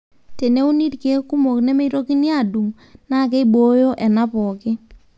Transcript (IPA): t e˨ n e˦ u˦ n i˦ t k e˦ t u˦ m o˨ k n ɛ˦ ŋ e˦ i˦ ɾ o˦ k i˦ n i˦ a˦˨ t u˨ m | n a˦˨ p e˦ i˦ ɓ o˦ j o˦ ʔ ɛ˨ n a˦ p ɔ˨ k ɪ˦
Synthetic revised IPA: t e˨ n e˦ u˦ n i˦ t k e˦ k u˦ m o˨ k n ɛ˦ m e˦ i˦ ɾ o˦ k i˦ n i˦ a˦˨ d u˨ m | n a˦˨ k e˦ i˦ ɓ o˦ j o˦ ʔ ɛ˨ n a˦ p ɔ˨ k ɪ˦

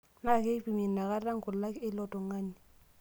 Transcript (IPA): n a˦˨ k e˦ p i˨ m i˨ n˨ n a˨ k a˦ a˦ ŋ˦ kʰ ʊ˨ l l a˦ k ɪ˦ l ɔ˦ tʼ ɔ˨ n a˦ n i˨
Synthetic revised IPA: n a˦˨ k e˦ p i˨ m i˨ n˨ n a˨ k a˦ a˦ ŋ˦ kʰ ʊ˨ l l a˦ k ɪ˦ l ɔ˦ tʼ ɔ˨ ŋ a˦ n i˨

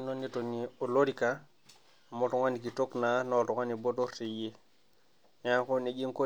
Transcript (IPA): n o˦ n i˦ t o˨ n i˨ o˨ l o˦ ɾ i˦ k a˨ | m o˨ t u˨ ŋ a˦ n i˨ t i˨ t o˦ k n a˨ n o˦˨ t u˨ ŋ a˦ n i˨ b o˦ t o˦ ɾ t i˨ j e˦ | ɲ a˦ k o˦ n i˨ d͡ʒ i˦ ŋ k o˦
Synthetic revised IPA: n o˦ n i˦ t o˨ n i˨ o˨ l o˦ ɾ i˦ k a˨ | m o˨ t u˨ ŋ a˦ n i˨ k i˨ t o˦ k n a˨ n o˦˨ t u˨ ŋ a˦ n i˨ b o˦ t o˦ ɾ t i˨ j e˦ | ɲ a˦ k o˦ n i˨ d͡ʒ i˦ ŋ k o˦

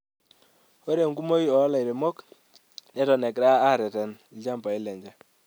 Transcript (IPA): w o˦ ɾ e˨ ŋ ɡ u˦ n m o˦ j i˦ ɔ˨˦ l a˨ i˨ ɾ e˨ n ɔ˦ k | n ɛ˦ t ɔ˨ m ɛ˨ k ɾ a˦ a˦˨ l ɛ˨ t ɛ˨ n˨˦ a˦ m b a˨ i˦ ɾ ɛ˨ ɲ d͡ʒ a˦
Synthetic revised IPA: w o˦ ɾ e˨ ŋ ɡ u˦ m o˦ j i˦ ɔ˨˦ l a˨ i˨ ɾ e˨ m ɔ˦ k | n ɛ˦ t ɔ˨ n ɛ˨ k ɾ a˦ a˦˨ ɾ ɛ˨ t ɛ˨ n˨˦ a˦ m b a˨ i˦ l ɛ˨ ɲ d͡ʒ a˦

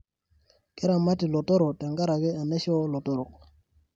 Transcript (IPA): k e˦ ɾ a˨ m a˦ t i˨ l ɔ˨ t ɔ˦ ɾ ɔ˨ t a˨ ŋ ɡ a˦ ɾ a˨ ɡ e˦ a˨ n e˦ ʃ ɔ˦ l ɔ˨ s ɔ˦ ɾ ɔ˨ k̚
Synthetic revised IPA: k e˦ ɾ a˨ m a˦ t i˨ l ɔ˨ t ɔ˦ ɾ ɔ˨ t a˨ ŋ ɡ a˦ ɾ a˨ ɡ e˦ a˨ n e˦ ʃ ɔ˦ l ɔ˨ t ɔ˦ ɾ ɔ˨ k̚

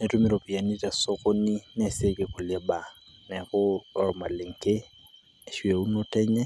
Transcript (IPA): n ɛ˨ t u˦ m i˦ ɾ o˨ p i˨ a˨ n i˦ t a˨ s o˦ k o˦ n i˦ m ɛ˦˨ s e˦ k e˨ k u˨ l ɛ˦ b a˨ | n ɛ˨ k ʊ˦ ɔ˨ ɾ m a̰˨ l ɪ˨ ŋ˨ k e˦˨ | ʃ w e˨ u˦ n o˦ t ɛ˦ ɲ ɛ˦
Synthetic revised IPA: n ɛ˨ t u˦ m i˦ ɾ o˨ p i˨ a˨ n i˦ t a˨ s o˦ k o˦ n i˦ n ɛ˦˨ s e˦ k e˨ k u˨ l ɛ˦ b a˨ | n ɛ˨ k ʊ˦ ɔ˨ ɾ m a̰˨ l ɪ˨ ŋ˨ k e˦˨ | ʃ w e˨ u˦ n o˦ t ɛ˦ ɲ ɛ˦

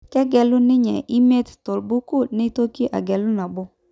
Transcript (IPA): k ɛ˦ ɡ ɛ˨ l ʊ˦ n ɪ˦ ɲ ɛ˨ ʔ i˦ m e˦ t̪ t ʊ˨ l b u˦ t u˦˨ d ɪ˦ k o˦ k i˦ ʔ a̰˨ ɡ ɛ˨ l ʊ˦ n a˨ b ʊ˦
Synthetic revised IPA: k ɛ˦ ɡ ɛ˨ l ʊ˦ n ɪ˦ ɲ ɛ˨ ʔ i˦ m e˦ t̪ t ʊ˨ l b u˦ k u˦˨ n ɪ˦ t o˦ k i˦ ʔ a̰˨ ɡ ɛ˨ l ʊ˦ n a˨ b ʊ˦

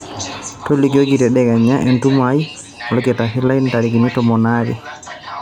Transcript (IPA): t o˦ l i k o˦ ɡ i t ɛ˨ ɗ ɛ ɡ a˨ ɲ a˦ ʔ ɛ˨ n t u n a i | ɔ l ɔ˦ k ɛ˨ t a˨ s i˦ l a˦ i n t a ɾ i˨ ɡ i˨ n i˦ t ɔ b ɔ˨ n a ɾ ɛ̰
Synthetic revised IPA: t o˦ l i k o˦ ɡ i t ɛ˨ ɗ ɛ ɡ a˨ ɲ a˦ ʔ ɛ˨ n t u m a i | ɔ l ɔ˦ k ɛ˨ t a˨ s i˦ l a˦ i n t a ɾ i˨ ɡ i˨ n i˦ t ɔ m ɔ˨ n a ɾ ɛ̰

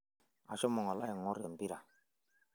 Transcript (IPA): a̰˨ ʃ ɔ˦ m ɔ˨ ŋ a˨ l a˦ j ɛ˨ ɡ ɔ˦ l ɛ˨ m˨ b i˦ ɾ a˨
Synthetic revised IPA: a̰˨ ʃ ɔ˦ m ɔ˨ ŋ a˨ l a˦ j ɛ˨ ŋ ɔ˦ ɾ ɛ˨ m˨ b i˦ ɾ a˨

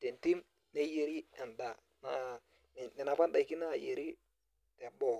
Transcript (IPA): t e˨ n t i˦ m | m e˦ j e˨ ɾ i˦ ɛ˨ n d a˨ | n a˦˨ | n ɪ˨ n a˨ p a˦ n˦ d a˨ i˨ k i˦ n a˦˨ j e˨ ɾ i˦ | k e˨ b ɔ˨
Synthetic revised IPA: t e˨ n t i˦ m | n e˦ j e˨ ɾ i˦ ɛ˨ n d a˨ | n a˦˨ | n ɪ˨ n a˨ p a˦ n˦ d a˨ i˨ k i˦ n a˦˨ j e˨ ɾ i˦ | t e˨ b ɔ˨

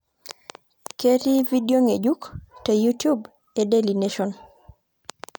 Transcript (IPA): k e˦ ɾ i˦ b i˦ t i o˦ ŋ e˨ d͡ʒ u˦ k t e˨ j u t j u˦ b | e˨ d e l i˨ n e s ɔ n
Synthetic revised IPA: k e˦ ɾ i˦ v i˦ d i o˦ ŋ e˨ d͡ʒ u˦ k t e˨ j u t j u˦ b | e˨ d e l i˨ n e ʃ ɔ n

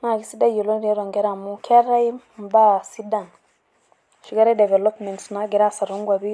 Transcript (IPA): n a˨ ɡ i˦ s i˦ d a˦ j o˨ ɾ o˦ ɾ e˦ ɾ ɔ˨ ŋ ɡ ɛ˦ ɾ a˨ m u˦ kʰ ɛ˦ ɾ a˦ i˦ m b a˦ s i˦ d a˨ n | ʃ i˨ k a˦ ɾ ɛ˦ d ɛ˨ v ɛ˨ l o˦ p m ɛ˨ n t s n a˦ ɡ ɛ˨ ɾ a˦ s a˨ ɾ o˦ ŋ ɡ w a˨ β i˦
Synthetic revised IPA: n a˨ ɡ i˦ s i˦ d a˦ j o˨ l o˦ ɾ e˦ ɾ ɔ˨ ŋ ɡ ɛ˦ ɾ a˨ m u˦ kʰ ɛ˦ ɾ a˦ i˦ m b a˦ s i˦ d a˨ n | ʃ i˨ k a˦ ɾ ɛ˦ d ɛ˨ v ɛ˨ l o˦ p m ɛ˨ n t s n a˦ ɡ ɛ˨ ɾ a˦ s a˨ ɾ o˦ ŋ ɡ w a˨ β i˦

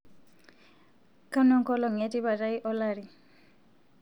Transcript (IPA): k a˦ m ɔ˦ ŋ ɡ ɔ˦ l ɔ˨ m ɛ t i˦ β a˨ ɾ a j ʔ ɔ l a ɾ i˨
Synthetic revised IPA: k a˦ n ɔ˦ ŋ k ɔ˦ l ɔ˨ ŋ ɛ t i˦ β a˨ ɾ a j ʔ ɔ l a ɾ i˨

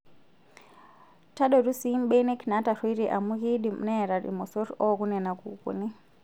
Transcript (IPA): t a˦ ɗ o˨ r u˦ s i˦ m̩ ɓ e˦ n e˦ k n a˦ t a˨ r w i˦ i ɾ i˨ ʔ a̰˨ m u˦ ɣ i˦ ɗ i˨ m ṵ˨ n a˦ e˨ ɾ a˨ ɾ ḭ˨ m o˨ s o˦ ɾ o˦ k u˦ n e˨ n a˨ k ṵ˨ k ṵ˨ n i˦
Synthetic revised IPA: t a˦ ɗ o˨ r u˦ s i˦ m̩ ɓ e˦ n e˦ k n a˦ t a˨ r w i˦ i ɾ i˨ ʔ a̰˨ m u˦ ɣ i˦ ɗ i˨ m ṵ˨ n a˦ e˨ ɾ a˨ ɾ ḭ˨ m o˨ s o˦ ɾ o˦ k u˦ n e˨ n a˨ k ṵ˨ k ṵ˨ n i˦

